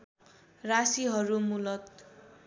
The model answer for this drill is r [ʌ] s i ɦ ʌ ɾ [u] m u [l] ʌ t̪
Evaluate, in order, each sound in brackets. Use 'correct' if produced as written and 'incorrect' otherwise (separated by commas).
incorrect, correct, correct